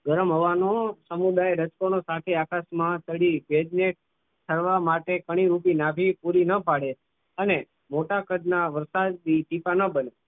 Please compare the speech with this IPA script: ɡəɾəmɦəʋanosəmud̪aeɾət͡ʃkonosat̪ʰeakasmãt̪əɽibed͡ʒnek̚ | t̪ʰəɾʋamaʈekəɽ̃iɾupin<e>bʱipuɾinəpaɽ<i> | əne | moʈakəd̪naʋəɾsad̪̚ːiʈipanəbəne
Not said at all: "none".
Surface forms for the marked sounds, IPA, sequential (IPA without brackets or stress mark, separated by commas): a, e